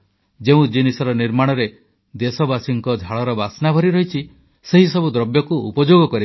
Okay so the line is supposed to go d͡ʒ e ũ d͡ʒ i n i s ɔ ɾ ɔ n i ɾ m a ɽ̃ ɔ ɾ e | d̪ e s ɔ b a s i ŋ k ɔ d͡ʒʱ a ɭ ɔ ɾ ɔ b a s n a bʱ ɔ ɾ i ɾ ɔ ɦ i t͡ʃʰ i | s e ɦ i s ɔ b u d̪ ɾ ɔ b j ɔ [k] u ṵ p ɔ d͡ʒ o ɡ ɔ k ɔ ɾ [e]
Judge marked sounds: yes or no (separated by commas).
yes, no